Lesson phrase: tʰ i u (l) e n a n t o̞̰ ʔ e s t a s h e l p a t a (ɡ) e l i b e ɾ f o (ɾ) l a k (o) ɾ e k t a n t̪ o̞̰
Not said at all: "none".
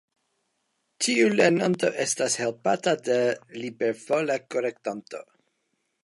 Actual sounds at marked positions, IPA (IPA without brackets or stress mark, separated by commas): l, d, none, o